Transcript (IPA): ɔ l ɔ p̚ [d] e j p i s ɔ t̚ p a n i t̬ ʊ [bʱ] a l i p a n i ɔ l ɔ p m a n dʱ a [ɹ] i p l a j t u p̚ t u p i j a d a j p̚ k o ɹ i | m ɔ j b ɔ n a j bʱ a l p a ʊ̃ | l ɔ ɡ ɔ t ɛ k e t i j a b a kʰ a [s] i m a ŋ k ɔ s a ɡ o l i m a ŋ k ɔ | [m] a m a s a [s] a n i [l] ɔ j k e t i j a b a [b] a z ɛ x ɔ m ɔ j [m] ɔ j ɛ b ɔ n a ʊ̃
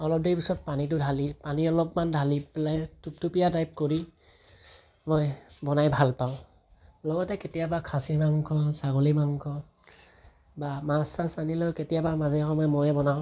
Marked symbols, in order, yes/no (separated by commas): yes, no, no, yes, no, yes, yes, no, yes